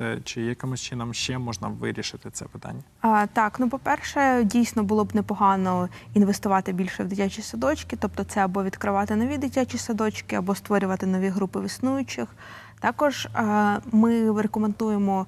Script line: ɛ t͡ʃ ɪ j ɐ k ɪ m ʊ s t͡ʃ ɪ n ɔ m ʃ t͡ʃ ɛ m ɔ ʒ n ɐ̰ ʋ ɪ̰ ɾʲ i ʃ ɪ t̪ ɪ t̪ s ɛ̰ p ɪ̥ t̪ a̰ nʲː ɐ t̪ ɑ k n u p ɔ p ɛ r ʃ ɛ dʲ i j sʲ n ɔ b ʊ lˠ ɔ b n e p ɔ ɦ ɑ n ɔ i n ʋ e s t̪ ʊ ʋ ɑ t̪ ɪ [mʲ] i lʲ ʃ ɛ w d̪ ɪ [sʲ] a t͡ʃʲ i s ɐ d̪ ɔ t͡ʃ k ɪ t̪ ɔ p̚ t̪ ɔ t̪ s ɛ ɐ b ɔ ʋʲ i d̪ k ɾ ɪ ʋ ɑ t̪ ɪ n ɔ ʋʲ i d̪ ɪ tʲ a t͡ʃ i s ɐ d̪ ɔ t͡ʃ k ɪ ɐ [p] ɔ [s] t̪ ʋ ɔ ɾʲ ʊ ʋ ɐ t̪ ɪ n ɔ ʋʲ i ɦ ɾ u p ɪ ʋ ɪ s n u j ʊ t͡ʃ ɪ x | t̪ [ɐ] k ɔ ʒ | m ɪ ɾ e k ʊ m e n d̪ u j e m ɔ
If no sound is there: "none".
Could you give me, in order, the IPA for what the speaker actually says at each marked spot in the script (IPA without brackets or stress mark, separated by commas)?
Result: bʲ, tʲ, b, s, ɑ